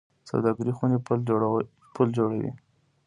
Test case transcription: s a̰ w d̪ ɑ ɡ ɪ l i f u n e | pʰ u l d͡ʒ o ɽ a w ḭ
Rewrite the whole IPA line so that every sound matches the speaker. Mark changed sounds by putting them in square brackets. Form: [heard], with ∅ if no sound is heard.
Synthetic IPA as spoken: s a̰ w d̪ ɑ ɡ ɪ [ɾ] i [x] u n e | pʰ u l d͡ʒ o ɽ a w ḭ